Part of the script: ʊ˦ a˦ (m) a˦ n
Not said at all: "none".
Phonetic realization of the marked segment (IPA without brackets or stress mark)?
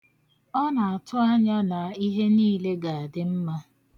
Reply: ɲ